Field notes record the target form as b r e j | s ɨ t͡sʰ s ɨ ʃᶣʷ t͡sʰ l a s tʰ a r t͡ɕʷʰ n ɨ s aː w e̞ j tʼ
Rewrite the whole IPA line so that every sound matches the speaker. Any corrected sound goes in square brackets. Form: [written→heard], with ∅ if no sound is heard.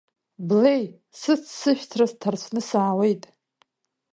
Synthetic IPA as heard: b [r→l] e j | s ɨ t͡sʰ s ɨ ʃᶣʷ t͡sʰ [l→r] a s tʰ a r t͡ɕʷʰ n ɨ s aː w e̞ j tʼ

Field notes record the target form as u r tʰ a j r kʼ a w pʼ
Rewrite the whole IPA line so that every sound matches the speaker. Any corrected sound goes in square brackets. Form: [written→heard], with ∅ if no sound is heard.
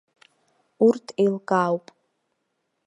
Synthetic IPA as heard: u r tʰ [a→e] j [r→l] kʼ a w pʼ

